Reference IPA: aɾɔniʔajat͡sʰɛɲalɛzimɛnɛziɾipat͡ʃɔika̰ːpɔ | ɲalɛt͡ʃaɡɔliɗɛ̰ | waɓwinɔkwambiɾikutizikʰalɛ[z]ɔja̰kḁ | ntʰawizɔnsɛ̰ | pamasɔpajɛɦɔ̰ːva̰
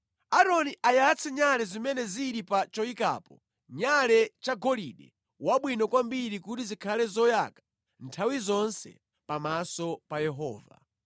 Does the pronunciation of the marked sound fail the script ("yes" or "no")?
no